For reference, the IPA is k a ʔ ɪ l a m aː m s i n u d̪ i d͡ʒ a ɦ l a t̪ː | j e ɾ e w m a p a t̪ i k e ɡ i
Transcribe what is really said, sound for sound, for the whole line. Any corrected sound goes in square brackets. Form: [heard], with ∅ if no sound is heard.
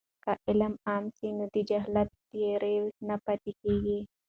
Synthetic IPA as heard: k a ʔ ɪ l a m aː m s i n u d̪ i d͡ʒ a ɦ l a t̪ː | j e ɾ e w [n] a p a t̪ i k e ɡ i